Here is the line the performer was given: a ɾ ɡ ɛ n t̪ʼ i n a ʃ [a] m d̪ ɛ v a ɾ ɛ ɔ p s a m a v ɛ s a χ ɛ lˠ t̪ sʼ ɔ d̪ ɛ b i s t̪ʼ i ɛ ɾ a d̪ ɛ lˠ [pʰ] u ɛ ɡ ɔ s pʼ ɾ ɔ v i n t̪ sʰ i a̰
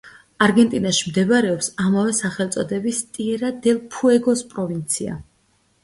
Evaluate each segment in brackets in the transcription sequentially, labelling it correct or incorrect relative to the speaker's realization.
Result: incorrect: i, correct

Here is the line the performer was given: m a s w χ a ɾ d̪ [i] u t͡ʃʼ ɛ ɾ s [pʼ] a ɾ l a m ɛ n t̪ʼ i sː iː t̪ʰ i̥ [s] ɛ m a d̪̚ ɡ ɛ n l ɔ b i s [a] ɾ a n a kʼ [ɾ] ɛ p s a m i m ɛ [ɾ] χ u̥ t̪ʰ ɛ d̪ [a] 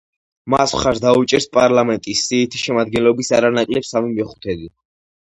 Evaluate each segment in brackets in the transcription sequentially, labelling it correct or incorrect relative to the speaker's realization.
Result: incorrect: a, correct, incorrect: ʃ, correct, incorrect: l, incorrect: none, incorrect: i

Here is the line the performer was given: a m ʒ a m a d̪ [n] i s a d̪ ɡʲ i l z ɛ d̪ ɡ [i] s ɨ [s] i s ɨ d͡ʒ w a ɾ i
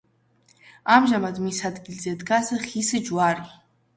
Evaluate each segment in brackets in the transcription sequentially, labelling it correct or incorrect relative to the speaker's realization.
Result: incorrect: m, incorrect: a, incorrect: χ

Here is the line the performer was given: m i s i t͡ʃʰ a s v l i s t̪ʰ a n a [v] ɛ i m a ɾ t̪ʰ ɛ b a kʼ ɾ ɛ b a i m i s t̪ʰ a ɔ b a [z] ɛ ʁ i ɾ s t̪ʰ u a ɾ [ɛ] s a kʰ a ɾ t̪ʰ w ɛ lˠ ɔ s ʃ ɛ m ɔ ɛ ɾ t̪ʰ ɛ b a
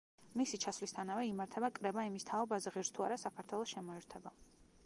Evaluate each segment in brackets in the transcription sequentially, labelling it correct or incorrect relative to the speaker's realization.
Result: correct, correct, incorrect: a

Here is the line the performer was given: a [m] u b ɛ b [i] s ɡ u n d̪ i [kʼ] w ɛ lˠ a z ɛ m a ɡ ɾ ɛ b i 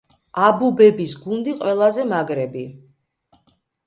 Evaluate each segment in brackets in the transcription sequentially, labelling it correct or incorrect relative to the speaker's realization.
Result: incorrect: b, correct, incorrect: qʼ

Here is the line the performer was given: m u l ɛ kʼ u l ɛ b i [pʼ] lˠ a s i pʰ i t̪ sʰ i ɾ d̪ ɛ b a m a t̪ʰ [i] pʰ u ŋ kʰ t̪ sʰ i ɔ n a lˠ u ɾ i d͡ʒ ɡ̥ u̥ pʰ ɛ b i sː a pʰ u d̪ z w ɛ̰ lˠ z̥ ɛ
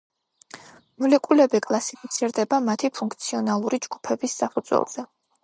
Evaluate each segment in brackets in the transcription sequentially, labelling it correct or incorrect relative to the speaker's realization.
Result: incorrect: kʼ, correct

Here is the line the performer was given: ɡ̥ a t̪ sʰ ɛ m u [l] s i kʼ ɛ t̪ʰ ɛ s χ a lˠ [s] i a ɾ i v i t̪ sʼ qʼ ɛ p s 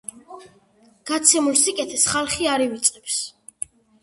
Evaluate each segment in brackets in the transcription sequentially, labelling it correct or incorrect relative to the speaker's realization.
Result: correct, incorrect: χ

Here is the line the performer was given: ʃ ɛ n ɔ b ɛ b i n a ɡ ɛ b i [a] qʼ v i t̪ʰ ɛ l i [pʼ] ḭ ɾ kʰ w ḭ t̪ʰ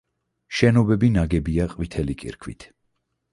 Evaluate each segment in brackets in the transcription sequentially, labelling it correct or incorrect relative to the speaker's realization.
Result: correct, incorrect: kʼ

